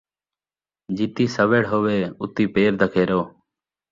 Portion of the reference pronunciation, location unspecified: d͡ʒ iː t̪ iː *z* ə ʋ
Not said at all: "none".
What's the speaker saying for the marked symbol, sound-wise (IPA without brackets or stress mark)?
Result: s